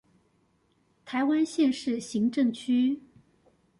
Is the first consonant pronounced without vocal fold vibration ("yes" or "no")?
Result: yes